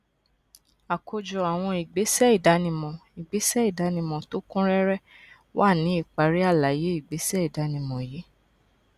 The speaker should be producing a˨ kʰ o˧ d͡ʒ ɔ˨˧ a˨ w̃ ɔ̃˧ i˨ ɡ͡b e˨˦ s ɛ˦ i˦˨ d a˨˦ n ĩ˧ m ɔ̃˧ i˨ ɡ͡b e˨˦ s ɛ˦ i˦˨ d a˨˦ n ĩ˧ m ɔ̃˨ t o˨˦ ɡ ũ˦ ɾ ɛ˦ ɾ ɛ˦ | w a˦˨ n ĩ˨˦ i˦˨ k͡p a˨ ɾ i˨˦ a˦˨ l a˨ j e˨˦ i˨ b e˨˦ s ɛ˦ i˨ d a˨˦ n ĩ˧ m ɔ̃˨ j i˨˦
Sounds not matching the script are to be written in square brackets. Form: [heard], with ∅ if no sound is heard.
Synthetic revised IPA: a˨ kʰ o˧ d͡ʒ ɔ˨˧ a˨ w̃ ɔ̃˧ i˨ ɡ͡b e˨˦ s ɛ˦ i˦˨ d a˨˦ n ĩ˧ m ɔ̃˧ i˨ ɡ͡b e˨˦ s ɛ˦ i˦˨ d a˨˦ n ĩ˧ m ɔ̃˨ t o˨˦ [k] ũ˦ ɾ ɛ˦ ɾ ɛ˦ | w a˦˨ n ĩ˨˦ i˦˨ k͡p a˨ ɾ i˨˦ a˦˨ l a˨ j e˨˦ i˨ [ɡ͡b] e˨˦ s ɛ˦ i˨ d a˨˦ n ĩ˧ m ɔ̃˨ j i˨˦

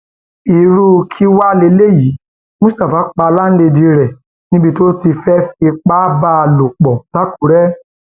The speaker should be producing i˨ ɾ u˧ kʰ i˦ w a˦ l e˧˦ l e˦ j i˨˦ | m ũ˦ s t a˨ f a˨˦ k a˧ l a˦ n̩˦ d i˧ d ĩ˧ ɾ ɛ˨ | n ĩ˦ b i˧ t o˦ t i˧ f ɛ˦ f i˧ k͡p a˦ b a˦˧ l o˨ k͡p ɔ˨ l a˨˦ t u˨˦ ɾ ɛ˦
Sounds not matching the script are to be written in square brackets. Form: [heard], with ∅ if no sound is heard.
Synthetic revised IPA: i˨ ɾ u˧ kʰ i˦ w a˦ l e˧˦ l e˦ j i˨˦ | m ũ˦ s t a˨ f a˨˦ [k͡p] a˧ l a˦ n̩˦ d [e˧] d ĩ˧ ɾ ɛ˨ | n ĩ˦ b i˧ t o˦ t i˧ f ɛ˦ f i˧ k͡p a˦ b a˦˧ l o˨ k͡p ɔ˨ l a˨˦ [k] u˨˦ ɾ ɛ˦

